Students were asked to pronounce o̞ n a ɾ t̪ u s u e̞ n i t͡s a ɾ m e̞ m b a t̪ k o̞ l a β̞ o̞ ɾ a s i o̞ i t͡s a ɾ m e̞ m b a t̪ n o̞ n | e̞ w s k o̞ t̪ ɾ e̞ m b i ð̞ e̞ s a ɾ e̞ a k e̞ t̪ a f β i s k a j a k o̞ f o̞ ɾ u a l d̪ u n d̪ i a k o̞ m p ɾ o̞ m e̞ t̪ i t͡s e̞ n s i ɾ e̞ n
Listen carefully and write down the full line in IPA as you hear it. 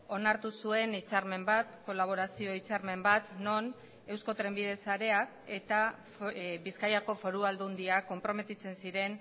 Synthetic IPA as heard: o̞ n a ɾ t̪ u s u e̞ n i t͡s a ɾ m e̞ m b a t̪ k o̞ l a β̞ o̞ ɾ a s i o̞ i t͡s a ɾ m e̞ m b a t̪ n o̞ n | e̞ w s k o̞ t̪ ɾ e̞ m b i ð̞ e̞ s a ɾ e̞ a k e̞ t̪ a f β i s k a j a k o̞ f o̞ ɾ u a l d̪ u n d̪ i a k o̞ m p ɾ o̞ m e̞ t̪ i t͡s e̞ n s i ɾ e̞ n